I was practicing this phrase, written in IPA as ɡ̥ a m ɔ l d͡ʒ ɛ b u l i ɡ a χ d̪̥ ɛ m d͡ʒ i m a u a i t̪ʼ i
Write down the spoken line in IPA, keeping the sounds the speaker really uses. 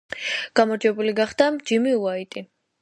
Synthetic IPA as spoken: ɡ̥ a m ɔ ɾ d͡ʒ ɛ b u l i ɡ a χ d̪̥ a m d͡ʒ i m i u a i t̪ʼ i